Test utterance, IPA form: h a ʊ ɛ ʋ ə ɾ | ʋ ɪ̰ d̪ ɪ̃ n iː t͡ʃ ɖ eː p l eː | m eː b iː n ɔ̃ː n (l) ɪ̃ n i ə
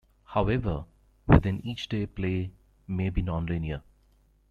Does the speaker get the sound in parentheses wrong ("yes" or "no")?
no